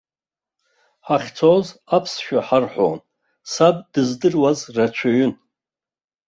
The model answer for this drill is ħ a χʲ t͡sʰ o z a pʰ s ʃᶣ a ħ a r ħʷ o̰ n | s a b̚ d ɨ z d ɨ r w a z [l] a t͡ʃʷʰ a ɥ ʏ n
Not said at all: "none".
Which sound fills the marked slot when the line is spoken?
r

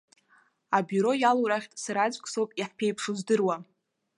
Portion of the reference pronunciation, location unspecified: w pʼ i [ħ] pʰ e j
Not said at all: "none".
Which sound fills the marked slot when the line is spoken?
ħ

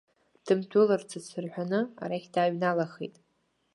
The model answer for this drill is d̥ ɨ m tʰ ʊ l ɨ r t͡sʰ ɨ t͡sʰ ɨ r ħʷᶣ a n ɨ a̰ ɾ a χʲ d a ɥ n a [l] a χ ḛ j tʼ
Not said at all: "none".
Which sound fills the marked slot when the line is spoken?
l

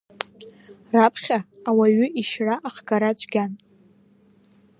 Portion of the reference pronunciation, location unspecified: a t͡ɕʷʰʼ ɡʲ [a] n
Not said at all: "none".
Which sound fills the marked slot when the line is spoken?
a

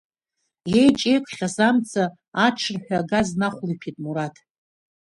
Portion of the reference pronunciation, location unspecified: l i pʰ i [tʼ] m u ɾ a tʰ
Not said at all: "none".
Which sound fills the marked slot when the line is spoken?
tʼ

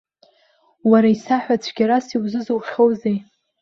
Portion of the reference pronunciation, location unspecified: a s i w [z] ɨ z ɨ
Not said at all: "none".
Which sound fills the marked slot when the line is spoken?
z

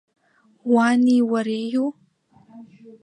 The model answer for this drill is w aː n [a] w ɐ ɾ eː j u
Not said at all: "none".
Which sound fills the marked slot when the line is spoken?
i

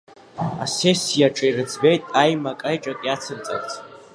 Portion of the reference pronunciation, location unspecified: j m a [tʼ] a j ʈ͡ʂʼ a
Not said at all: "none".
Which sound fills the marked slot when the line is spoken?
kʼ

